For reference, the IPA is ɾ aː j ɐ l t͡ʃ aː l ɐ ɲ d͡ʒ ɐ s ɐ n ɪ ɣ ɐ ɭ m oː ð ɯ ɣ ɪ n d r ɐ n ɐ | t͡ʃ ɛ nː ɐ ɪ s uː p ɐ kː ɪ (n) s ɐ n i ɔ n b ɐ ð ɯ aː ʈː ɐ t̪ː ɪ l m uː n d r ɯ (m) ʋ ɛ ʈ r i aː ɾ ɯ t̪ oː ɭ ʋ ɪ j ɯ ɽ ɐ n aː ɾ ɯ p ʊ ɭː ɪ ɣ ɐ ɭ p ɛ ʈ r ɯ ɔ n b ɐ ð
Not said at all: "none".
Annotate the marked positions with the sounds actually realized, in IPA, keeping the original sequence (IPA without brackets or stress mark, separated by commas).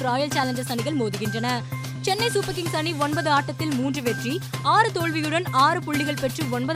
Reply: ŋ, none